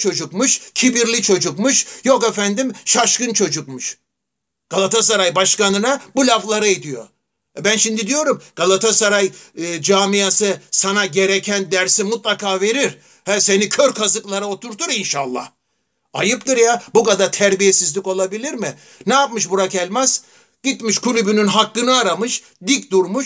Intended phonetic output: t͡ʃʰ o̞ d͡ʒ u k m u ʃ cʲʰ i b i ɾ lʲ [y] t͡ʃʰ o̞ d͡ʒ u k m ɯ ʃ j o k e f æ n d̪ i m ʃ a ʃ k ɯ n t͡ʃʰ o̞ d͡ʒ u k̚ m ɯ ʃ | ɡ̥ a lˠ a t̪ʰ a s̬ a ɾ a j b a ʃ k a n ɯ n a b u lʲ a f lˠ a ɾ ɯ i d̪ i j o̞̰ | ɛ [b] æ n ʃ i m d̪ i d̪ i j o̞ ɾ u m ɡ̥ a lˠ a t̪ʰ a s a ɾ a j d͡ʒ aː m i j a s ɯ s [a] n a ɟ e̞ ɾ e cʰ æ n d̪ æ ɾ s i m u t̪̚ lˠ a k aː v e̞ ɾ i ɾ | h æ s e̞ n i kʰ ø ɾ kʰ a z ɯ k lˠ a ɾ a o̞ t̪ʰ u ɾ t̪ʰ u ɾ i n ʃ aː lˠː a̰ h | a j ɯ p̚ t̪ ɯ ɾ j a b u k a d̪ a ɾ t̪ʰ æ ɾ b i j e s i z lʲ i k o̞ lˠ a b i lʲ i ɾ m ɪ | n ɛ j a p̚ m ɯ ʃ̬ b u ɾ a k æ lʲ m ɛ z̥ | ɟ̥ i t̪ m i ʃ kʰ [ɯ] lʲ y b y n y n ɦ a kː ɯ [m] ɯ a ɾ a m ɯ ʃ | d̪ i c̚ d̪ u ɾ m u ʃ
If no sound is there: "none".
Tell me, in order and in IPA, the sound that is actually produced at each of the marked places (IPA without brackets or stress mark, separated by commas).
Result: i, b, a, u, n